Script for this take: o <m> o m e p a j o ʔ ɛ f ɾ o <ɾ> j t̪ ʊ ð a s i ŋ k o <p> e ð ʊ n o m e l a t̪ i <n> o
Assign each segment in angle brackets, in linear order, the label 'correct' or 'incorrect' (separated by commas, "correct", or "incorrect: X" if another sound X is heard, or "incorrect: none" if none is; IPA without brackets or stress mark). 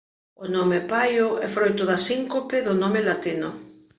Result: incorrect: n, incorrect: none, correct, correct